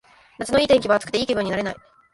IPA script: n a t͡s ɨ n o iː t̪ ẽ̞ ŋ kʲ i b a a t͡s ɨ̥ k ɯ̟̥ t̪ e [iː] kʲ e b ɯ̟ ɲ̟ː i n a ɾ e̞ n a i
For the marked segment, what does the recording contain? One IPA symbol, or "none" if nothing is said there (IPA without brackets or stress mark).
iː